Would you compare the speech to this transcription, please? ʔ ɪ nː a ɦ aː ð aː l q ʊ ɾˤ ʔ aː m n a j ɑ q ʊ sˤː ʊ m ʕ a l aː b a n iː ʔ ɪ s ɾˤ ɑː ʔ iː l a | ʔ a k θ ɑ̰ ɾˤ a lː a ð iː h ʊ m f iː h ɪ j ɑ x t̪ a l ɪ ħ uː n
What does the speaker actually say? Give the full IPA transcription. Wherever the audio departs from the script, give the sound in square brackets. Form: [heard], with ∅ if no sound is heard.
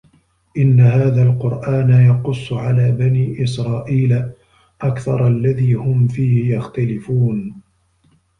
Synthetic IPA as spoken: ʔ ɪ nː a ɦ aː ð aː l q ʊ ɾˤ ʔ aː [∅] n a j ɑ q ʊ sˤː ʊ [∅] ʕ a l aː b a n iː ʔ ɪ s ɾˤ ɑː ʔ iː l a | ʔ a k θ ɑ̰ ɾˤ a lː a ð iː h ʊ m f iː h ɪ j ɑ x t̪ a l ɪ [f] uː n